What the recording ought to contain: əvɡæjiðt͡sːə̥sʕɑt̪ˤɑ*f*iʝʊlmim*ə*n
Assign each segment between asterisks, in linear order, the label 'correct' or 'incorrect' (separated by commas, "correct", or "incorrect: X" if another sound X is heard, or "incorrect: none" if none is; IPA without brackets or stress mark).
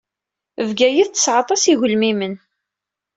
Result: incorrect: s, correct